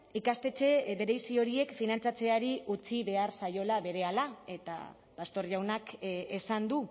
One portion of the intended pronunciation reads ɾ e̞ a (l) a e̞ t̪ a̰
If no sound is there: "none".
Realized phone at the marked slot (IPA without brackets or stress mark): l